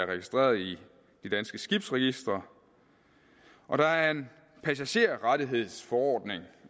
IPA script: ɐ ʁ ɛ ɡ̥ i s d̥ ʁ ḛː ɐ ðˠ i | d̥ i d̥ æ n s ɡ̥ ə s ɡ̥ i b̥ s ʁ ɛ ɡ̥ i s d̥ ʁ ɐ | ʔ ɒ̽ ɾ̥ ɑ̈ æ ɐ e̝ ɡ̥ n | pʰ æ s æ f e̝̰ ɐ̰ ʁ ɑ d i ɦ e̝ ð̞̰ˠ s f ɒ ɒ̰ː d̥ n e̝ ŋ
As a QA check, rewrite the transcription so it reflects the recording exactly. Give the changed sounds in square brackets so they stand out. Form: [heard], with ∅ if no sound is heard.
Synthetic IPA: ɐ ʁ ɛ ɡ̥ i s d̥ ʁ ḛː ɐ ðˠ i | d̥ i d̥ æ n s ɡ̥ ə s ɡ̥ i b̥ s ʁ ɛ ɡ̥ i s d̥ ʁ ɐ | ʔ ɒ̽ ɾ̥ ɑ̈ æ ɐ e̝ [∅] n | pʰ æ s æ [ɕ] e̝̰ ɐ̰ ʁ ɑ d i ɦ e̝ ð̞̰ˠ s f ɒ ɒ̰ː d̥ n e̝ ŋ

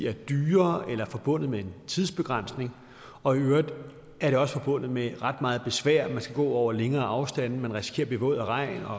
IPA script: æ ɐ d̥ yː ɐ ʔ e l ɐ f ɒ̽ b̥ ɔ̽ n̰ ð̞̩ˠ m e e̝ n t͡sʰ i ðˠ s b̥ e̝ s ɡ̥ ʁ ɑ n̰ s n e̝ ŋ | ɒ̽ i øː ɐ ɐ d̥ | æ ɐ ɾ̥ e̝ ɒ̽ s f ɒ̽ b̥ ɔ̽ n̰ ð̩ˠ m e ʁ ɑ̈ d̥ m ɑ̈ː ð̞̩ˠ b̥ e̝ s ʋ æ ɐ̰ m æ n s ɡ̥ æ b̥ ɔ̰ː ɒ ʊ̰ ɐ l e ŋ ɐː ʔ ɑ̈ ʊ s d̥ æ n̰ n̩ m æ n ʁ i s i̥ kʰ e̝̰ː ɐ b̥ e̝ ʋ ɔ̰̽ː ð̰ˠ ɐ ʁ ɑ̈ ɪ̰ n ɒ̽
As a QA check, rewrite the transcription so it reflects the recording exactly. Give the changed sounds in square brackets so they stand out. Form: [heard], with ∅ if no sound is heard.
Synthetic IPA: æ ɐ d̥ yː ɐ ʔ e l ɐ f ɒ̽ b̥ ɔ̽ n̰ ð̞̩ˠ m e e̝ n t͡sʰ i ðˠ s b̥ e̝ [∅] ɡ̥ ʁ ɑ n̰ s n e̝ ŋ | ɒ̽ i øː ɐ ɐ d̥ | æ ɐ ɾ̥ e̝ ɒ̽ s f ɒ̽ b̥ ɔ̽ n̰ ð̩ˠ m e ʁ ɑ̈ d̥ m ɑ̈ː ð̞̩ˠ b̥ e̝ s ʋ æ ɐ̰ m æ n s ɡ̥ æ [ɡ̥] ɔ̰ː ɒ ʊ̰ ɐ l e ŋ ɐː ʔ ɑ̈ ʊ s d̥ æ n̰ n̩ m æ n ʁ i s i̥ kʰ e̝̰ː ɐ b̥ e̝ ʋ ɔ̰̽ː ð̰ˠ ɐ ʁ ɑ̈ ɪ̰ n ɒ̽

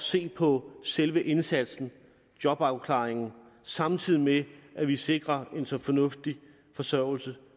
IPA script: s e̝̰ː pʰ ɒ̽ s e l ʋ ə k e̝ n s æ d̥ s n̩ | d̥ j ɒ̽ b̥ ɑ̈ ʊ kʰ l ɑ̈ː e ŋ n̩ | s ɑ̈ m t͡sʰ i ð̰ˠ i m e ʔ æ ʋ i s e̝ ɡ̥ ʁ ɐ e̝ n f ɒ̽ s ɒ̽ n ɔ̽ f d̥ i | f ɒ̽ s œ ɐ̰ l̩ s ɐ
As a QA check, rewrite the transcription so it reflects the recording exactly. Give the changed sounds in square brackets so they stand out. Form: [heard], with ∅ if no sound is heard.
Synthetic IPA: s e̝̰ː pʰ ɒ̽ s e l ʋ ə [ʔ] e̝ n s æ d̥ s n̩ | d̥ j ɒ̽ b̥ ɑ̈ ʊ kʰ l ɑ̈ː e ŋ n̩ | s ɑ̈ m t͡sʰ i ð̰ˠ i m e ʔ æ ʋ i s e̝ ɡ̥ ʁ ɐ e̝ n [s] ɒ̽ [f] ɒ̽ n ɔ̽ f d̥ i | f ɒ̽ s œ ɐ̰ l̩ s [ə]

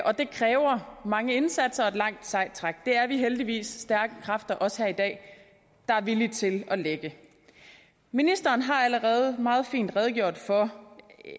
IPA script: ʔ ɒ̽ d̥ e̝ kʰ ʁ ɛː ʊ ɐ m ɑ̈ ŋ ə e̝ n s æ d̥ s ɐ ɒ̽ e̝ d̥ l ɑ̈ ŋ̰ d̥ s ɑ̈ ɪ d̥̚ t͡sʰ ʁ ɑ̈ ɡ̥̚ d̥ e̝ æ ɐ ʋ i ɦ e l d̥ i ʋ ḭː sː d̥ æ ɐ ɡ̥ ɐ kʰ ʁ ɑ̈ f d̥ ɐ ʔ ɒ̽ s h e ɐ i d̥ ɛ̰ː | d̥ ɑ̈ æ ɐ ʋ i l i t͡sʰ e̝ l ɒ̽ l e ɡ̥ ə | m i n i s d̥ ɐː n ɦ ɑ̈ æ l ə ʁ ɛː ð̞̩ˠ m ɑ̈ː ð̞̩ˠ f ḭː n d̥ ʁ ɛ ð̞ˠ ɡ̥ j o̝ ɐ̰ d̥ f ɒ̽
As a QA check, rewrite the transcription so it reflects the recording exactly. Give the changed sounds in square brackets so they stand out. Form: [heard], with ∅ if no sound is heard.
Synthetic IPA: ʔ ɒ̽ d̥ e̝ kʰ ʁ ɛː ʊ ɐ m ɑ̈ ŋ ə e̝ n s æ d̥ s ɐ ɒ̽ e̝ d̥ l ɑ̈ ŋ̰ d̥ s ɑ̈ ɪ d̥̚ t͡sʰ ʁ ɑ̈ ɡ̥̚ d̥ e̝ æ ɐ ʋ i ɦ e l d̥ i ʋ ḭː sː d̥ æ ɐ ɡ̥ [ə] kʰ ʁ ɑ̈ f d̥ ɐ ʔ ɒ̽ s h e ɐ i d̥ ɛ̰ː | d̥ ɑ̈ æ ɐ ʋ i l i t͡sʰ e̝ l ɒ̽ l e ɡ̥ ə | m i n i s d̥ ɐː n ɦ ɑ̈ æ l ə ʁ ɛː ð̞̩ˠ m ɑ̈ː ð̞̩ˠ f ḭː n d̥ ʁ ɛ ð̞ˠ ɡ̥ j o̝ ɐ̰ d̥ f ɒ̽

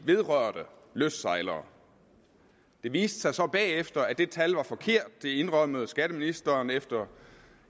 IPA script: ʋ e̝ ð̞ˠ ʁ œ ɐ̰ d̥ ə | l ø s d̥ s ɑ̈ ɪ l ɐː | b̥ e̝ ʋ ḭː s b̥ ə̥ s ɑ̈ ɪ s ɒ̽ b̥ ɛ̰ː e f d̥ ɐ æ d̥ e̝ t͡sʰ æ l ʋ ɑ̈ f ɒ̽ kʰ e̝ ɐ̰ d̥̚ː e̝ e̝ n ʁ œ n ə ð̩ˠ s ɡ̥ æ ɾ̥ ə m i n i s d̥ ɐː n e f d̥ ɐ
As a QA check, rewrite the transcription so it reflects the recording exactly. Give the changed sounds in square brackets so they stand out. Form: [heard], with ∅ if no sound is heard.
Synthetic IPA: ʋ e̝ ð̞ˠ ʁ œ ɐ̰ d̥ ə | l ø s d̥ s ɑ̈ ɪ l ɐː | [d̥] e̝ ʋ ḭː s [d̥] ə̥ s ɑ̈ ɪ s ɒ̽ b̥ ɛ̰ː e f d̥ ɐ æ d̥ e̝ t͡sʰ æ l ʋ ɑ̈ f ɒ̽ kʰ e̝ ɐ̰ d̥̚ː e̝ e̝ n ʁ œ [m] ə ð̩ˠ s ɡ̥ æ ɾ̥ ə m i n i s d̥ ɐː n e f d̥ ɐ

